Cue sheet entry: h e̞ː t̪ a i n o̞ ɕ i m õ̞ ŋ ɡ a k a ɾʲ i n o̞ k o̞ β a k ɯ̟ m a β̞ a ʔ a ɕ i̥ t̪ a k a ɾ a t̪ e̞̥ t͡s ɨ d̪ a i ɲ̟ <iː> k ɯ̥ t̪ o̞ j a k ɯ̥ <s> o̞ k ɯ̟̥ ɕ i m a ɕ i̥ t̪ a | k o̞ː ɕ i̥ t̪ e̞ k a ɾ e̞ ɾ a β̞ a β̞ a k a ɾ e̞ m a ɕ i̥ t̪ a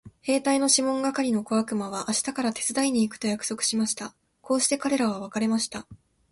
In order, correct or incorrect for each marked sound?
correct, correct

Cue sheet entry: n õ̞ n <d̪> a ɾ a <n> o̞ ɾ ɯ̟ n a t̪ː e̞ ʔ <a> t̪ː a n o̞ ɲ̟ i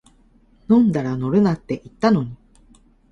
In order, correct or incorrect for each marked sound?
correct, correct, incorrect: i

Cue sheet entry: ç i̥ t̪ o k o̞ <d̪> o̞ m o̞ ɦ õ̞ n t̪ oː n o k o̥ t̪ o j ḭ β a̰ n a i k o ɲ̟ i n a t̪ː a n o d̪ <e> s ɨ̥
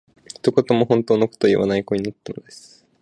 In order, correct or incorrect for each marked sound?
incorrect: t̪, correct

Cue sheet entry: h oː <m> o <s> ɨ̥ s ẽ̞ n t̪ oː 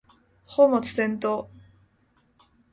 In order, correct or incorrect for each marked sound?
correct, incorrect: t͡s

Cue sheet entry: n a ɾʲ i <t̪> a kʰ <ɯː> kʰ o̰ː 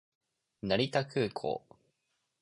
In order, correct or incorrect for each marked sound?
correct, correct

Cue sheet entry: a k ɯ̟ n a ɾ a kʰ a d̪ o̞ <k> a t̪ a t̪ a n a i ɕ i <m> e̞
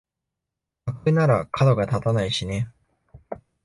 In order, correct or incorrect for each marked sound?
incorrect: ɡ, incorrect: n

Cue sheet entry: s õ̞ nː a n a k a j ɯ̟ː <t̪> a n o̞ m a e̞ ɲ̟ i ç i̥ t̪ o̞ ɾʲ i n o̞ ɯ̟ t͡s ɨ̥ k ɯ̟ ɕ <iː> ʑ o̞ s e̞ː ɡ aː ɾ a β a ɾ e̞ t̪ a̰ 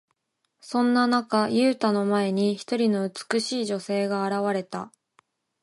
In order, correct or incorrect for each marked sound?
correct, correct

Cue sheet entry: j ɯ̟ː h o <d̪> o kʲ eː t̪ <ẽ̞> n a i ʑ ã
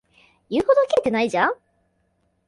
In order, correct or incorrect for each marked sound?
correct, incorrect: e̞

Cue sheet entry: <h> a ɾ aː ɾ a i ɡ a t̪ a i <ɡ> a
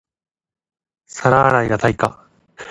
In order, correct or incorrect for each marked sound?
incorrect: s, incorrect: k

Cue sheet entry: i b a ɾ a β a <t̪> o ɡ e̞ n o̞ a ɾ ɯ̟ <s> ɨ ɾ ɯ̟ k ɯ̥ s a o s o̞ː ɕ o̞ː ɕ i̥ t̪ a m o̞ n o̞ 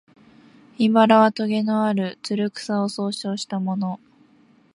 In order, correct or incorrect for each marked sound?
correct, incorrect: t͡s

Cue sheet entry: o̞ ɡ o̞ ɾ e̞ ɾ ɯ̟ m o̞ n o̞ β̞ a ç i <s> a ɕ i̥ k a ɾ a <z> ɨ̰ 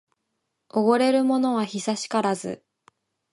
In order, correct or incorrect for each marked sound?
correct, correct

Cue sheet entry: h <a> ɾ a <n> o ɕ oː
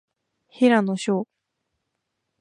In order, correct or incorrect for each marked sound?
incorrect: i, correct

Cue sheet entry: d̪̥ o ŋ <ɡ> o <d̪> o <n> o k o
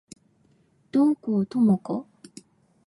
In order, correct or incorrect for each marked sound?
incorrect: k, incorrect: t̪, incorrect: m

